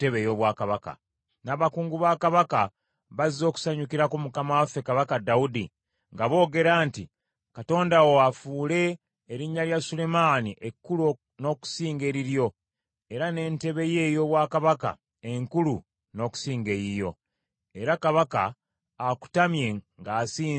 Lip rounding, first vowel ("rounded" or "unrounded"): unrounded